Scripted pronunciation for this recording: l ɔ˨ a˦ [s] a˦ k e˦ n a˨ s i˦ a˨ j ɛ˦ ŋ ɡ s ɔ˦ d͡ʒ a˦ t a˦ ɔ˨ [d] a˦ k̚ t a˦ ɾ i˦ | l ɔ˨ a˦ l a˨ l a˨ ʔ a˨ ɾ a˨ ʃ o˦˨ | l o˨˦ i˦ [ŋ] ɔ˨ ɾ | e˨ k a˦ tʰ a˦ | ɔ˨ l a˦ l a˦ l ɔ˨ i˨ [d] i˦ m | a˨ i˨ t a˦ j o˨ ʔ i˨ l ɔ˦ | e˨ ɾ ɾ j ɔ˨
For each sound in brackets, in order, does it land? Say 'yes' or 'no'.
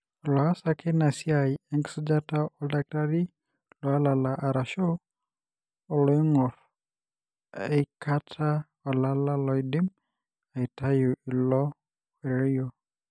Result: yes, yes, yes, yes

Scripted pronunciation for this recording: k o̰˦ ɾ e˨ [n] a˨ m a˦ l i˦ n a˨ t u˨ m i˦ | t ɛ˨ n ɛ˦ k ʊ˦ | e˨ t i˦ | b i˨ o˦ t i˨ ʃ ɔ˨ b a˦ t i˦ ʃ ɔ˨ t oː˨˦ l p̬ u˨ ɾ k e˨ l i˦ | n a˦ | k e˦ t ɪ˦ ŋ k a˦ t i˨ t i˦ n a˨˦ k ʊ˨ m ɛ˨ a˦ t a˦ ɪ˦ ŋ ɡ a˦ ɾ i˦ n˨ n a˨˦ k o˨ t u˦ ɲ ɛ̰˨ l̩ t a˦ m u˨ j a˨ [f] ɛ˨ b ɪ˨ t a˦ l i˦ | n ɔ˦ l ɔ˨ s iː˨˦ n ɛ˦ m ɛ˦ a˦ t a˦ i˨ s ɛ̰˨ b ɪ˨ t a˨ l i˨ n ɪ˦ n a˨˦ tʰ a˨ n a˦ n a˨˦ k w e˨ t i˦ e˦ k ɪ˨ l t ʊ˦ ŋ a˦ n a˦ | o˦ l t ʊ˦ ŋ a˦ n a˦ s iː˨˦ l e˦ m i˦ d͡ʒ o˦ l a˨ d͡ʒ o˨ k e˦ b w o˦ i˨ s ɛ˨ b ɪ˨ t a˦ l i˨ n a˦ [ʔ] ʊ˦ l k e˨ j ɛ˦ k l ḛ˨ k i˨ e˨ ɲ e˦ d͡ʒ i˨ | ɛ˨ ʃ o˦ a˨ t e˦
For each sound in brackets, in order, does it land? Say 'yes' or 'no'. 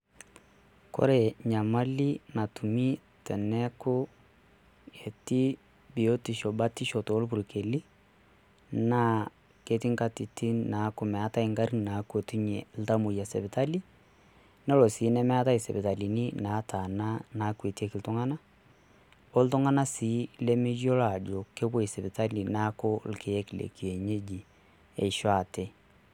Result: no, no, no

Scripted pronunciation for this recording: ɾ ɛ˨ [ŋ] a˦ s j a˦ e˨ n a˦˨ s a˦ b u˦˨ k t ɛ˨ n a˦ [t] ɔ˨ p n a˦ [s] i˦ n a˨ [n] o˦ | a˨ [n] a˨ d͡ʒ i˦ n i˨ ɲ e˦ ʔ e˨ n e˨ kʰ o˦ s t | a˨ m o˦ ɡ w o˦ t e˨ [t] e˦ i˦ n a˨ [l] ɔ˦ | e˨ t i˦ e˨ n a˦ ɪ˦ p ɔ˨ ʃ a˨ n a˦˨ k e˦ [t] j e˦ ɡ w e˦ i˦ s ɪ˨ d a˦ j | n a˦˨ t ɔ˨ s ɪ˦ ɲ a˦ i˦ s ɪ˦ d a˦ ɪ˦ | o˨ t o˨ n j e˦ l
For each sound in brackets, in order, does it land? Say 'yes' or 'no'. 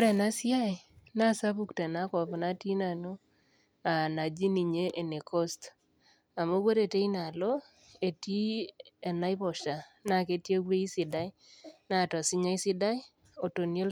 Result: no, no, no, yes, yes, yes, yes, yes

